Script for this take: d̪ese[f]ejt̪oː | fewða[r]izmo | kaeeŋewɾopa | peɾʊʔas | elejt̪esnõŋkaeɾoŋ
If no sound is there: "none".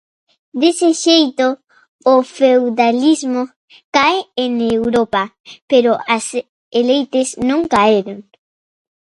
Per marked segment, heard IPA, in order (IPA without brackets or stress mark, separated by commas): ʃ, l